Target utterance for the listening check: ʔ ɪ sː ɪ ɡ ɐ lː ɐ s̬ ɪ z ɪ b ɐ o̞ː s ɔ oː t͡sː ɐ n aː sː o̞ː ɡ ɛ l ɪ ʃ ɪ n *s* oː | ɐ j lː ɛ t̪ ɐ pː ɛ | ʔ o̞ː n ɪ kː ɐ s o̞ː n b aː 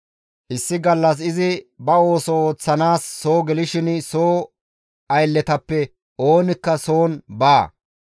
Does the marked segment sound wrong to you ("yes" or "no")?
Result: no